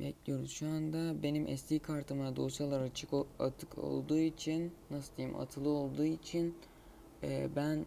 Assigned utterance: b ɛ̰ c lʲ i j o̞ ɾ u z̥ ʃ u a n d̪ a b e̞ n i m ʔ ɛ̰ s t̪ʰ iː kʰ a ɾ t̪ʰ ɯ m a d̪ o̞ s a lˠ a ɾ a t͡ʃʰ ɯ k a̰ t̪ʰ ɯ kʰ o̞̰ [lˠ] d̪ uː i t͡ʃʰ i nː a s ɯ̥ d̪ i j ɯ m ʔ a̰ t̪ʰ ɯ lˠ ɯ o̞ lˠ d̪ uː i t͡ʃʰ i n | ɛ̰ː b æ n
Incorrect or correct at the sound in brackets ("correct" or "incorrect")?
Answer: correct